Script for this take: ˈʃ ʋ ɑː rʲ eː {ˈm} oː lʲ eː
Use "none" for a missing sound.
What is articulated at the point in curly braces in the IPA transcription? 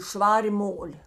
m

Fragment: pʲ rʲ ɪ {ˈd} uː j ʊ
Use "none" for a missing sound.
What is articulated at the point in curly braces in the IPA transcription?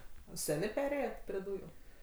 d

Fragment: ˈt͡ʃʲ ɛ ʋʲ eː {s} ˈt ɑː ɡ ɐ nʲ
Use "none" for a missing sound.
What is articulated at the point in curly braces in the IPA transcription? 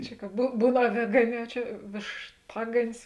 ʃ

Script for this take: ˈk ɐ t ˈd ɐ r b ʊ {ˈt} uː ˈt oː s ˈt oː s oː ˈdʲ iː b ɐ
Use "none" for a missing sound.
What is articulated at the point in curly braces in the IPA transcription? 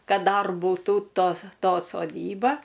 t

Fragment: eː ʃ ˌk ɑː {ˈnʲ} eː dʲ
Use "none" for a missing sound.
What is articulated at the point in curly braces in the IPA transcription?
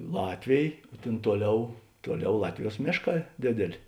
dʲ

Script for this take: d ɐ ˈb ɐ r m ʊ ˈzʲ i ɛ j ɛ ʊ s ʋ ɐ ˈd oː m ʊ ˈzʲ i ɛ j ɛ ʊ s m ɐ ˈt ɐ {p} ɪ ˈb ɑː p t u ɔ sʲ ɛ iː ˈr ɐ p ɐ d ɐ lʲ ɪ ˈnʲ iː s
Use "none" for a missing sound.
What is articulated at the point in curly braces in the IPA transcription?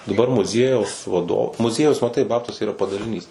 none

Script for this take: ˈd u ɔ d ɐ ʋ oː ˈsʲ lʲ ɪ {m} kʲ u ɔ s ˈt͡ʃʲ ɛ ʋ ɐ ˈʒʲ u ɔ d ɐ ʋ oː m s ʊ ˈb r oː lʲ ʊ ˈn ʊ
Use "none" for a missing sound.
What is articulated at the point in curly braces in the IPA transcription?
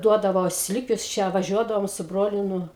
none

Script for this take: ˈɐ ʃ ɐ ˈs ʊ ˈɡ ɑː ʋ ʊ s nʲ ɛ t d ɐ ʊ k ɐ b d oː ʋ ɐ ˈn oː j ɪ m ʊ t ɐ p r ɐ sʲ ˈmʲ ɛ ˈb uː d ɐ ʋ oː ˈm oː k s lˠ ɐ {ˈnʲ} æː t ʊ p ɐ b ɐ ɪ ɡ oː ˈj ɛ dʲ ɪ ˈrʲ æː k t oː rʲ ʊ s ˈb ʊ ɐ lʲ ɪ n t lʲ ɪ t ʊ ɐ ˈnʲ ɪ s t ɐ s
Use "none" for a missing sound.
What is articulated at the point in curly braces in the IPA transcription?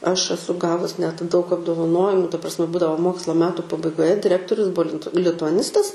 mʲ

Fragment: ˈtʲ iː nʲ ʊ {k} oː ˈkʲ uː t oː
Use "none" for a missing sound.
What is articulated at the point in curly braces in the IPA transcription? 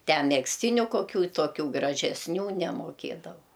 k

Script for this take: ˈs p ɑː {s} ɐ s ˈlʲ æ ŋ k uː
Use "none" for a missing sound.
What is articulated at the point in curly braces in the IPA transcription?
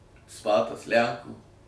t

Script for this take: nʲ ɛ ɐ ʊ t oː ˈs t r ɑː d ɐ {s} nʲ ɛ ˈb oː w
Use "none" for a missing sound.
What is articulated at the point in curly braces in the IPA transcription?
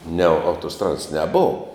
s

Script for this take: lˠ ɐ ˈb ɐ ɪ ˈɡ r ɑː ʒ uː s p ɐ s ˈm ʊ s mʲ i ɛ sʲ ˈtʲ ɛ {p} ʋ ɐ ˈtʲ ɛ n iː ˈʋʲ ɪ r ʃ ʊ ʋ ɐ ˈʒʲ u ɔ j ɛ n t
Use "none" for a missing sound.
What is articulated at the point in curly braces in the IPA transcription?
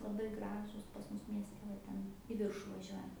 none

